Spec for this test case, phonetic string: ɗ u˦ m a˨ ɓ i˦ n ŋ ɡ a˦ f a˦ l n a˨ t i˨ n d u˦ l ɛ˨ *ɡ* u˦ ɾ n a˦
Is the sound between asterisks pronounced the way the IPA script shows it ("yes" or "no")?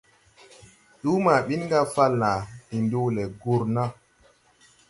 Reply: yes